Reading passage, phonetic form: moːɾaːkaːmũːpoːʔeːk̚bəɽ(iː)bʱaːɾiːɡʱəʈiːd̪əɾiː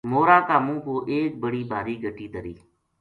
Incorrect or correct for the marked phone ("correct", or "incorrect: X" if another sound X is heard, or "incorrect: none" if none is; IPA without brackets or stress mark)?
correct